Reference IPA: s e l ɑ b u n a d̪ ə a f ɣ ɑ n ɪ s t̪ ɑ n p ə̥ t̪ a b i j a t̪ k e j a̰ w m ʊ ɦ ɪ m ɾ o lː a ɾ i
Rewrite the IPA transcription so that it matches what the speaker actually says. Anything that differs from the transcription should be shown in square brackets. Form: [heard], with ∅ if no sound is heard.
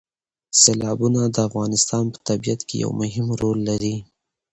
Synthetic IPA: s e l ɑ b u n a d̪ ə a f ɣ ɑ n ɪ s t̪ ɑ n p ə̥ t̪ a b i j a t̪ k e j a̰ w m ʊ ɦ ɪ m ɾ o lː a ɾ i